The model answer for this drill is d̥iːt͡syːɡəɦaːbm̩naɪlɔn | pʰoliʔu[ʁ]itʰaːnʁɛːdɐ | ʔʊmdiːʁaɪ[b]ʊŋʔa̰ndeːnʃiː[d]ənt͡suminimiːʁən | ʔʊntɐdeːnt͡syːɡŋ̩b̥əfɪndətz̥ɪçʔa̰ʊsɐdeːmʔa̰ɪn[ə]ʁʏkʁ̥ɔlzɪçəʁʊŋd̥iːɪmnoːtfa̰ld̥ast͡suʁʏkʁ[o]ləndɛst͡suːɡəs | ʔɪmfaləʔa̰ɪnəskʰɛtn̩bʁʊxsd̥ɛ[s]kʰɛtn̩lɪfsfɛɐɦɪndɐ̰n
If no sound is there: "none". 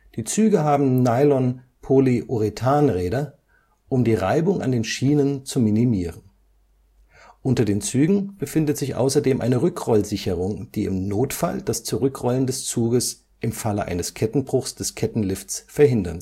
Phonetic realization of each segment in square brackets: ʁ, b, n, ə, ɔ, s

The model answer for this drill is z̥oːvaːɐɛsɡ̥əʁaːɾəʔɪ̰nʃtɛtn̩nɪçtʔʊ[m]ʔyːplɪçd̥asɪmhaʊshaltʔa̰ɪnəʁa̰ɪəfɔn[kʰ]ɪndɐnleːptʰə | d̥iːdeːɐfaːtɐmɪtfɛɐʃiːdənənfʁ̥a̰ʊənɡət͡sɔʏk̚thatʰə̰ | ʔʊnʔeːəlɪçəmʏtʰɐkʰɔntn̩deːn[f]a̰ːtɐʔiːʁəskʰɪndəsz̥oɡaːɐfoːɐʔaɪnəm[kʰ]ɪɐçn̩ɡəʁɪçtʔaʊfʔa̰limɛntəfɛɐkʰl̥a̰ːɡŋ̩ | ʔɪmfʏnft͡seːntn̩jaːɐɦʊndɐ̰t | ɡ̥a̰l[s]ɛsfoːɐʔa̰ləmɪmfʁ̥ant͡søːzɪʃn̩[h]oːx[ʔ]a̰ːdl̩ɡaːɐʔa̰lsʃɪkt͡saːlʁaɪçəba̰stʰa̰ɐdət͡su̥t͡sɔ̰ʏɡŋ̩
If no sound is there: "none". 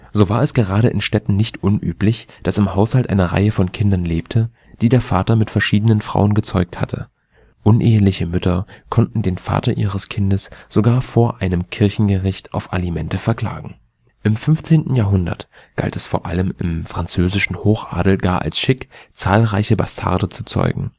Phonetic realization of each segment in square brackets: n, kʰ, f, kʰ, t, h, ʔ

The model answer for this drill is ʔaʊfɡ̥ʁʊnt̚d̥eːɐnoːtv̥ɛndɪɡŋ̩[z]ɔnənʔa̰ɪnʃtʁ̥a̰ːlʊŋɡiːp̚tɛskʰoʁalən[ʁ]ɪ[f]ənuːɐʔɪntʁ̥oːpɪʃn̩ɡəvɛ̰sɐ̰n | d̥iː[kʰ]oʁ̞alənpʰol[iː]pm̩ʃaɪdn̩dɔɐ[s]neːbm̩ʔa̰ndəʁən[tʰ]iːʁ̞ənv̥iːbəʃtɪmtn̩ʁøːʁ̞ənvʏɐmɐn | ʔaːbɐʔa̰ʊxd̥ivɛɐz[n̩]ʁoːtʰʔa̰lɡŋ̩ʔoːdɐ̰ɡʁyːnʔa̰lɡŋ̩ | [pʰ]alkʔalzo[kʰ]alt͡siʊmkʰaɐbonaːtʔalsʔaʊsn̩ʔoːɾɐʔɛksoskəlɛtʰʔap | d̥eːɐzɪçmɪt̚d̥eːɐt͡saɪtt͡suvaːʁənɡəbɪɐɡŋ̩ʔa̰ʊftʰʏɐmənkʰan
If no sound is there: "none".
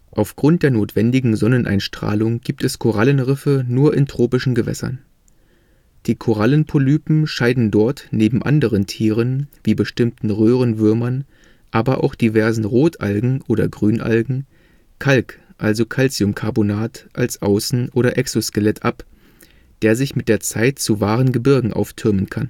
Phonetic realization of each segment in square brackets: z, ʁ, f, kʰ, yː, t, tʰ, n̩, kʰ, kʰ

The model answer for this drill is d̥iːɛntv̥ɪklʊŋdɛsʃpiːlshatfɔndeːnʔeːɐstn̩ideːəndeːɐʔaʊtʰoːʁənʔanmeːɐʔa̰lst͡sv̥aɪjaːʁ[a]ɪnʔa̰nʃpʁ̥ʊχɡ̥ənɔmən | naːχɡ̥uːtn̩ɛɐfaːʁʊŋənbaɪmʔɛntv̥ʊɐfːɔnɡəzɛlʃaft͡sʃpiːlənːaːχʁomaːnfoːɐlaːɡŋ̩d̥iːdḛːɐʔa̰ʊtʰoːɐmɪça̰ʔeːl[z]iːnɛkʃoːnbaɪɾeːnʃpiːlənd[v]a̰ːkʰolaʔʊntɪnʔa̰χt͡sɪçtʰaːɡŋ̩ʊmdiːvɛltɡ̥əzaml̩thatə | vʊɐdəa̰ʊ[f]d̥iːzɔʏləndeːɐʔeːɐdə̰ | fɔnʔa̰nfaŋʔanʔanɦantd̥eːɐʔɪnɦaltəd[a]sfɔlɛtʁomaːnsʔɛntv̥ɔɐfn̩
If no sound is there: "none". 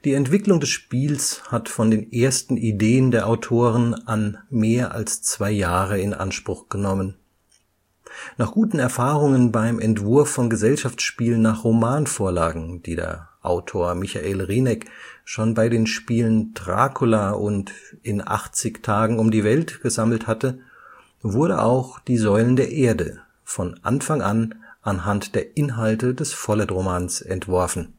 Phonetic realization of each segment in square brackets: ə, ʁ, ʁ, x, ɛ

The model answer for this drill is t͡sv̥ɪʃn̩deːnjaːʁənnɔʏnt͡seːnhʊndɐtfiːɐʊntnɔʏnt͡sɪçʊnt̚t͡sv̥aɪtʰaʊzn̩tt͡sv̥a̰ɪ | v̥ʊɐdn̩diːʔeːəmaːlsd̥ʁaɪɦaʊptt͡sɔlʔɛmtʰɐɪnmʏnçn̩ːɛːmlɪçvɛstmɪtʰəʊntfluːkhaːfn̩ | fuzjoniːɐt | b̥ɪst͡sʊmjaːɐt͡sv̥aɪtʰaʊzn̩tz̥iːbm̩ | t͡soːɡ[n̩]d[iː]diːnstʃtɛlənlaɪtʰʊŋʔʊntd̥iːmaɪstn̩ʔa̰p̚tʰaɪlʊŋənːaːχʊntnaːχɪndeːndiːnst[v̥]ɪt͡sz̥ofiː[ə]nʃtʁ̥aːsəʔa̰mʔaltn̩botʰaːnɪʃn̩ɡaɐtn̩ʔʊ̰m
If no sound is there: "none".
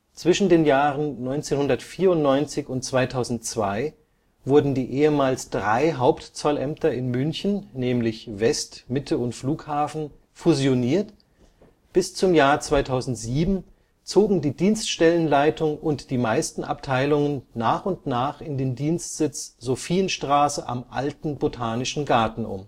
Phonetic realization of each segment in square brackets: ŋ̩, iː, z̥, ə

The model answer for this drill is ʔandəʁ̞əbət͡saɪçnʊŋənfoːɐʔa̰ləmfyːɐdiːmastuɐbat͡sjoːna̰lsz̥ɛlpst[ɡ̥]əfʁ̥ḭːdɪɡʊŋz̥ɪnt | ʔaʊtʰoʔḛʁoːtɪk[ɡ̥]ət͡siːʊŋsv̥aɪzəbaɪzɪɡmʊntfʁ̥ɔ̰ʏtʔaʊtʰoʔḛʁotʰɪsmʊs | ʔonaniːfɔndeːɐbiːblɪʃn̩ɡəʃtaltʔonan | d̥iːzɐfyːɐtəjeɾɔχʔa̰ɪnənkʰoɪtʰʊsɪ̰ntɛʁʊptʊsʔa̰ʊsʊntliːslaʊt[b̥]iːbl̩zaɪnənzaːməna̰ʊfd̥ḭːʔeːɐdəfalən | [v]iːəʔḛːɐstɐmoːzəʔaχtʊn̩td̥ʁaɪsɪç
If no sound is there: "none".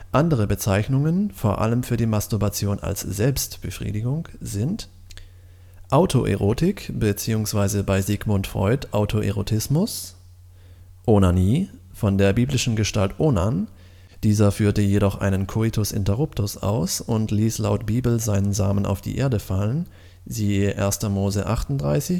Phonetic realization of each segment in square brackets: b̥, b̥, b̥, z

